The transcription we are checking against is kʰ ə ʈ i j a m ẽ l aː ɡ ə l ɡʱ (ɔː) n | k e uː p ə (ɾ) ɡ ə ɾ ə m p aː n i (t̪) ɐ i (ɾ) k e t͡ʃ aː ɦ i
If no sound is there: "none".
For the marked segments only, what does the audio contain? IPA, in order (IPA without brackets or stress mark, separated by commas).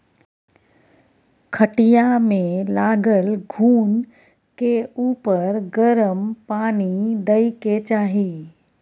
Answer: uː, ɾ, d̪, none